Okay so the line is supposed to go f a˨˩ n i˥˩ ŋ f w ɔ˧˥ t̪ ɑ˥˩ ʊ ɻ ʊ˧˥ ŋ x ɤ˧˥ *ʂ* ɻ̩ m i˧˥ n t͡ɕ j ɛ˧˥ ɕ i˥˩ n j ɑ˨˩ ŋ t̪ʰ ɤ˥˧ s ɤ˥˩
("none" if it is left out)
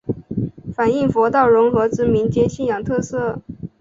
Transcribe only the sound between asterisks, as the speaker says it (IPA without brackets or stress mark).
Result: ʈ͡ʂ